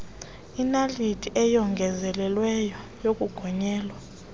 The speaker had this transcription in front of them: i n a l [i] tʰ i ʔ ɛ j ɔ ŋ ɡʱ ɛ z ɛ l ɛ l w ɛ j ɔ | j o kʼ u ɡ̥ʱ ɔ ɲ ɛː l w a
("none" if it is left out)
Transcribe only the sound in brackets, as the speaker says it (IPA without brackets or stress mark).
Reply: i